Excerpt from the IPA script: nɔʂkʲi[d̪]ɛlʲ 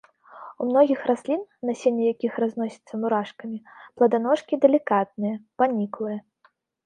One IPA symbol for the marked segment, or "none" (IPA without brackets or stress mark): d̪